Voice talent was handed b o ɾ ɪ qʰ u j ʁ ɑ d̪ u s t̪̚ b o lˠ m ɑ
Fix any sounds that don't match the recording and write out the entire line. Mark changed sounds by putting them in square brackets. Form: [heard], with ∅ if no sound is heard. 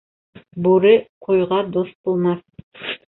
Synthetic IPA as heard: b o ɾ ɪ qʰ [o] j ʁ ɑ d̪ [o] s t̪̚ b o lˠ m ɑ